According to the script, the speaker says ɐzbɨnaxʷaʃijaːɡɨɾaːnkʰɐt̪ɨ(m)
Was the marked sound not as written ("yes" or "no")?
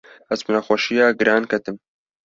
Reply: no